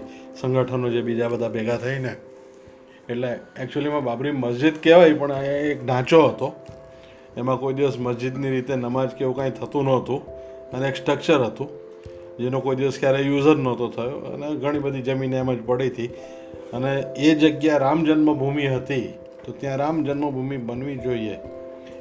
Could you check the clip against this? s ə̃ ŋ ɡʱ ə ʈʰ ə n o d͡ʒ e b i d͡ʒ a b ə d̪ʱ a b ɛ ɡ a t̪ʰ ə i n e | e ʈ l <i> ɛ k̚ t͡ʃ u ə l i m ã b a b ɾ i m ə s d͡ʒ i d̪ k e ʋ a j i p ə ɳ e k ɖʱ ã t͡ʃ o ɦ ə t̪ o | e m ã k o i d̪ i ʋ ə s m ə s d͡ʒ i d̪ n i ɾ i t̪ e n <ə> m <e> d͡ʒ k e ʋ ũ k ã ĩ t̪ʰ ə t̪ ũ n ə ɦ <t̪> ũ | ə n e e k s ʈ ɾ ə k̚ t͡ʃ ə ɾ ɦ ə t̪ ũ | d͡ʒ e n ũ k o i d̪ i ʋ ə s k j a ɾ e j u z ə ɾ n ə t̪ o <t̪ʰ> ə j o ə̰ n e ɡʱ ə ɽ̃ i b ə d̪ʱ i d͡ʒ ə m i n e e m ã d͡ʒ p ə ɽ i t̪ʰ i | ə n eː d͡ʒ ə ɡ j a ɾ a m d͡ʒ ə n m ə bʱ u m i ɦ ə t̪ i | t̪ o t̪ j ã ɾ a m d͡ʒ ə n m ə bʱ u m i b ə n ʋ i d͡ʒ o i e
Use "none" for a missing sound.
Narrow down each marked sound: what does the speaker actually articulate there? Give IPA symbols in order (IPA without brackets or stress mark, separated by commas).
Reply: e, ə, a, t̪, t̪ʰ